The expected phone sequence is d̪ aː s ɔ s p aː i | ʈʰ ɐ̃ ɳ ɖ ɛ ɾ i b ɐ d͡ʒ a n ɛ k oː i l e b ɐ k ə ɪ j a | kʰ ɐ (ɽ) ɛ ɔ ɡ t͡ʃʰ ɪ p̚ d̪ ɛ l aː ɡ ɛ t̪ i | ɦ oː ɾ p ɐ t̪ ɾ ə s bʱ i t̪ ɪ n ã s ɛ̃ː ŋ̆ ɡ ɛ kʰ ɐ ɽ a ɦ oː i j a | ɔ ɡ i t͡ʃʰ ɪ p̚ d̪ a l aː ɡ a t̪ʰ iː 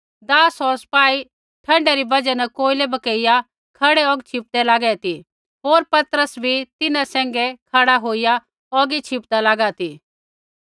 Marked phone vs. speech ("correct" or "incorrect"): correct